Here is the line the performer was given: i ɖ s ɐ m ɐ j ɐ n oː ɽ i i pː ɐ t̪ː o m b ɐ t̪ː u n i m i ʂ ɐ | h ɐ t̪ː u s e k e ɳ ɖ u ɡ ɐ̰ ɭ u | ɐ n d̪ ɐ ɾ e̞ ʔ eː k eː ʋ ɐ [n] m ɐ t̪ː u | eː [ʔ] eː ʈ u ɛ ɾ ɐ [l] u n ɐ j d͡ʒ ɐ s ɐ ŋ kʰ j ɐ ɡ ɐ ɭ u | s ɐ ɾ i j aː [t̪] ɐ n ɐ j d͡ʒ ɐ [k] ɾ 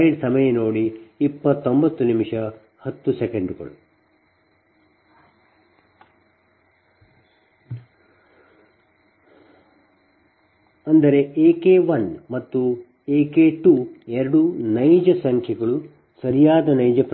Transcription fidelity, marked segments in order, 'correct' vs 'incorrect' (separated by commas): correct, incorrect, incorrect, incorrect, incorrect